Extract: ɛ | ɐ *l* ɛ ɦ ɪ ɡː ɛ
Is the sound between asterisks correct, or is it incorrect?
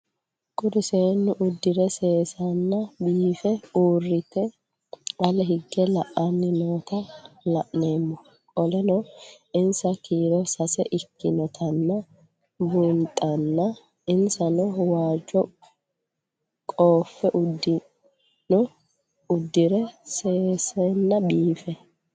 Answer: correct